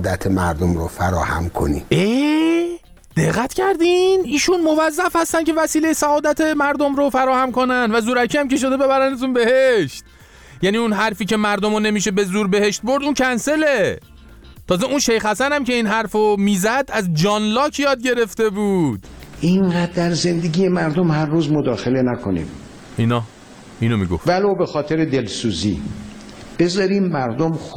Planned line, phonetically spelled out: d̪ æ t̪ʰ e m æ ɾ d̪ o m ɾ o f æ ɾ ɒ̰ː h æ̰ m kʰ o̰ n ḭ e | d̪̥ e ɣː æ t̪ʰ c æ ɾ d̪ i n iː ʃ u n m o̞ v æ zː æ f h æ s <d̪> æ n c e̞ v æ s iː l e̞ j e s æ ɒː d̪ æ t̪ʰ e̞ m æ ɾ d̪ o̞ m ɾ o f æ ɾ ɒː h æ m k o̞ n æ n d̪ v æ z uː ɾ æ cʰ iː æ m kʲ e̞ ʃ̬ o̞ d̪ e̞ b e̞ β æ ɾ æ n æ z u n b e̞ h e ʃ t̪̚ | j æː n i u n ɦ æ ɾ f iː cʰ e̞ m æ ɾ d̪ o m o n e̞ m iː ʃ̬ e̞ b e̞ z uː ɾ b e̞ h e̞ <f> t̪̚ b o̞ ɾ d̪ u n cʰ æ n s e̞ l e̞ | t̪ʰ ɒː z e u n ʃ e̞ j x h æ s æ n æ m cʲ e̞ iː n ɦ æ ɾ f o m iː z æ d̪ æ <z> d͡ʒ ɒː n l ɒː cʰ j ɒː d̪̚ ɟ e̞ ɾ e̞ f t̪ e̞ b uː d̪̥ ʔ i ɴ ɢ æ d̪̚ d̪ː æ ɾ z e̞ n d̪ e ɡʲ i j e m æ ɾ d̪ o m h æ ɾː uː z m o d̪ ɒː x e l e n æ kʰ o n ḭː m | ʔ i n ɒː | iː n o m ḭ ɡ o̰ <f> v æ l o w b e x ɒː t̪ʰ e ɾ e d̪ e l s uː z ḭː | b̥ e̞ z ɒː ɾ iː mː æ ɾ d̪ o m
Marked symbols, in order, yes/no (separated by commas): no, no, yes, yes